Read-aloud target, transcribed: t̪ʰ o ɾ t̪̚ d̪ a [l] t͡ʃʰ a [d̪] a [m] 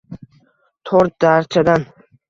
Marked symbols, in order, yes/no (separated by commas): no, yes, no